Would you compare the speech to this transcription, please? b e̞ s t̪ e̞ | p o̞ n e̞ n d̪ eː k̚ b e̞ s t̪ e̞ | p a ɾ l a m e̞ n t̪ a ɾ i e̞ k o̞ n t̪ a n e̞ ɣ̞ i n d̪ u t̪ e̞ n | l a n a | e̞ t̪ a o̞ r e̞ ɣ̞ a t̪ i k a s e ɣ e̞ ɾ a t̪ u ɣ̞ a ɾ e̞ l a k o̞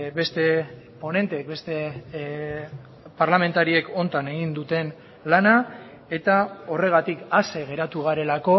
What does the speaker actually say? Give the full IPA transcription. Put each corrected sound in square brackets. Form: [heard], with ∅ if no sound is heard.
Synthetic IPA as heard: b e̞ s t̪ e̞ | p o̞ n e̞ n [t̪] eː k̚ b e̞ s t̪ e̞ | p a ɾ l a m e̞ n t̪ a ɾ i e̞ k o̞ n t̪ a n e̞ ɣ̞ i n d̪ u t̪ e̞ n | l a n a | e̞ t̪ a o̞ r e̞ ɣ̞ a t̪ i k a s e ɣ e̞ ɾ a t̪ u ɣ̞ a ɾ e̞ l a k o̞